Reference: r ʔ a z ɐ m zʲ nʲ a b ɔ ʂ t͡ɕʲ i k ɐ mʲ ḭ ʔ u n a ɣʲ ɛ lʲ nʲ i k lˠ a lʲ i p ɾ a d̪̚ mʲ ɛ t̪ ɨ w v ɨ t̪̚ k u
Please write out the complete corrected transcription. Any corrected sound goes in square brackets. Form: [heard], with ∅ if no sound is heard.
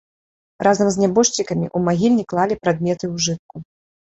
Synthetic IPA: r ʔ a z ɐ m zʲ nʲ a b ɔ ʂ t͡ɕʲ i k ɐ mʲ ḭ ʔ u [m] a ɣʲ [i] lʲ nʲ i k lˠ a lʲ i p ɾ a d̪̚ mʲ ɛ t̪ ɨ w [ʐ] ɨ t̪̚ k u